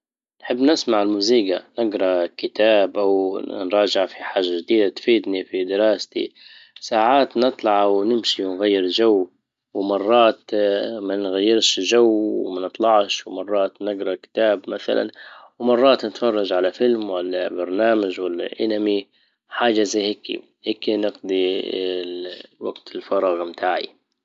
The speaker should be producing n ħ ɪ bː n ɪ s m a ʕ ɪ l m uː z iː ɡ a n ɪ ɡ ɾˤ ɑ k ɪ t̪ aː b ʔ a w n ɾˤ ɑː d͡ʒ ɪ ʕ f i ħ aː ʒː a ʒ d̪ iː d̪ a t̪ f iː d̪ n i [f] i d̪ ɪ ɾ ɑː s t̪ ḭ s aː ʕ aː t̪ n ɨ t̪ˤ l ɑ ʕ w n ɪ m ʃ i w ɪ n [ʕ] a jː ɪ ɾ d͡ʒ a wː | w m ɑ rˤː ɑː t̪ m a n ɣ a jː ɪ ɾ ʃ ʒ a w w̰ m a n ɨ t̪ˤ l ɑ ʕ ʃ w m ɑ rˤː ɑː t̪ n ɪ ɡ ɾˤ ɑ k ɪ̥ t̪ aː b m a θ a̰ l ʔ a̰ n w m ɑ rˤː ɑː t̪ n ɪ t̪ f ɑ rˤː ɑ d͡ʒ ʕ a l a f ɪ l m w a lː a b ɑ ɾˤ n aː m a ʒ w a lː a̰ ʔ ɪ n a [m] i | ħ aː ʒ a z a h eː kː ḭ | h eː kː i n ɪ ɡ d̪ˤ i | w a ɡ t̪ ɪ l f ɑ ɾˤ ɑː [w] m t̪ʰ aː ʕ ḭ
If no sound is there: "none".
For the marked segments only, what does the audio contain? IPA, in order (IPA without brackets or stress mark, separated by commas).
f, ɣ, m, ɣ